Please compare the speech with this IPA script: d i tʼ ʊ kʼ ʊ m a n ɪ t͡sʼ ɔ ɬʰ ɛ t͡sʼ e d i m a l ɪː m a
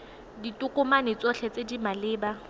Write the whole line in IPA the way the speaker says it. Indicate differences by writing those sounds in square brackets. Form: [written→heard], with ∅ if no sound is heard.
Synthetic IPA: d i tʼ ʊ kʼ ʊ m a n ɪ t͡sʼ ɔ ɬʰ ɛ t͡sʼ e d i m a l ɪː [m→b] a